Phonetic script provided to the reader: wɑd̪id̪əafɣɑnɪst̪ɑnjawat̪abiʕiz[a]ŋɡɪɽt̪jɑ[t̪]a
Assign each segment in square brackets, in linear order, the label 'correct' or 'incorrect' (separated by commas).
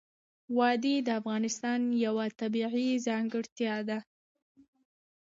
incorrect, incorrect